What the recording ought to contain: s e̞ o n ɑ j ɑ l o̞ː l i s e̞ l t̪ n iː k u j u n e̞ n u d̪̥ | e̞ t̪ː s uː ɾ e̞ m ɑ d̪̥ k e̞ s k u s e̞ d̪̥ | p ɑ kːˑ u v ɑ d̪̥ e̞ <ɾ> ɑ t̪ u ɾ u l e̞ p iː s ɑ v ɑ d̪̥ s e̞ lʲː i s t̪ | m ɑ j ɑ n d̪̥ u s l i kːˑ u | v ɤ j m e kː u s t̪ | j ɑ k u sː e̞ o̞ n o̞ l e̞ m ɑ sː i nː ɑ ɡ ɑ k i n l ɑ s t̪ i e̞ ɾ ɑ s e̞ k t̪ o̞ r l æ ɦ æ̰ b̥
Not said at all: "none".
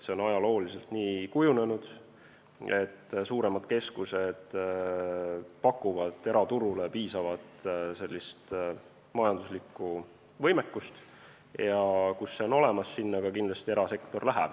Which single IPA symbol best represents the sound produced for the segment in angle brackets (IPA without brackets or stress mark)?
ɾ